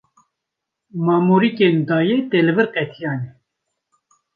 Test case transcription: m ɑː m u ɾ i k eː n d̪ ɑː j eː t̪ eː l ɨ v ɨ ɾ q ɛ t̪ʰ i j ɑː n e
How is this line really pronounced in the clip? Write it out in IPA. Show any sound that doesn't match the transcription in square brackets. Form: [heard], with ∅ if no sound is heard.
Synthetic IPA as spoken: m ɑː m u ɾ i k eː n d̪ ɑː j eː t̪ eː l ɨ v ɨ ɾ q ɛ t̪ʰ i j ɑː n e